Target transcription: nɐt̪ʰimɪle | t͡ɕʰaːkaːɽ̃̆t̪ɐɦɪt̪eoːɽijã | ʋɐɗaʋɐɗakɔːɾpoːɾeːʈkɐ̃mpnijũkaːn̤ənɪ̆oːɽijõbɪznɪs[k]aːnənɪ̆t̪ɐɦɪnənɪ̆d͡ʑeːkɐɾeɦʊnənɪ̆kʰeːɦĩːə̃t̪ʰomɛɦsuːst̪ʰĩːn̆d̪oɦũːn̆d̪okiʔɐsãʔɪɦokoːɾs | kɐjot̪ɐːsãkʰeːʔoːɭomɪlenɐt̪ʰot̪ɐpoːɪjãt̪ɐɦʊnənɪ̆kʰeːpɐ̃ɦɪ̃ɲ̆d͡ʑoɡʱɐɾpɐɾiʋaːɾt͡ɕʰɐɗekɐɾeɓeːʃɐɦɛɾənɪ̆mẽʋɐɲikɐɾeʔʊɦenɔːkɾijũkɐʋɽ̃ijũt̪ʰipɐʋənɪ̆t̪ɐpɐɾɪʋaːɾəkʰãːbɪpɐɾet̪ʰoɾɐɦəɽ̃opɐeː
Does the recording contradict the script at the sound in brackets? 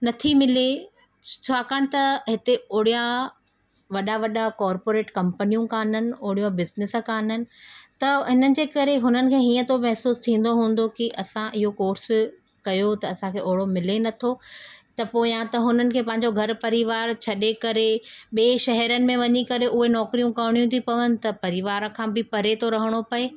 no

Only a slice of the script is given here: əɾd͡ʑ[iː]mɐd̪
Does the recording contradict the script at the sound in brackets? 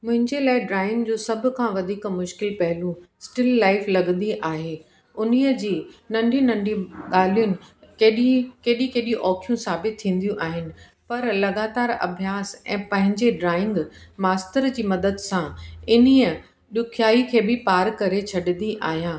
no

